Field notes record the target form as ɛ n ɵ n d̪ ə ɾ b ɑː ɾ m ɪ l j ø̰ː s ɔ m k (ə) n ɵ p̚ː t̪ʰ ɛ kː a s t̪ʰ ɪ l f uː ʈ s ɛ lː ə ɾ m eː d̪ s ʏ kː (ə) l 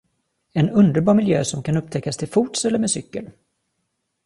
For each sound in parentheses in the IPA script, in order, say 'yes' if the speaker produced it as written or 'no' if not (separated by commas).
no, yes